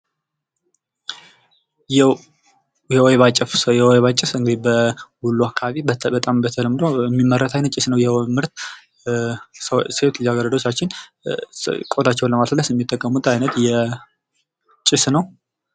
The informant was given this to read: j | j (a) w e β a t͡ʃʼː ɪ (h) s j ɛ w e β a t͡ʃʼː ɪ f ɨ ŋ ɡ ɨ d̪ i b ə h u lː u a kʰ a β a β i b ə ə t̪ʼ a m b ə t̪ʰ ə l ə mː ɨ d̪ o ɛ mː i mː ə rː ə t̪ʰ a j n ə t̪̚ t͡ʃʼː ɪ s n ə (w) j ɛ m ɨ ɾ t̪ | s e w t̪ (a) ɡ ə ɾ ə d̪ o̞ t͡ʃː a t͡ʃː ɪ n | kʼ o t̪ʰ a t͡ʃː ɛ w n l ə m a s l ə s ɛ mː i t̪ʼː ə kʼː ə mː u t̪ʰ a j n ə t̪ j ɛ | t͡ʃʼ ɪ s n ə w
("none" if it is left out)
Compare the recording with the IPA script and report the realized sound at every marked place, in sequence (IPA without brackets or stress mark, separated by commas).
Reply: ɛ, f, w, a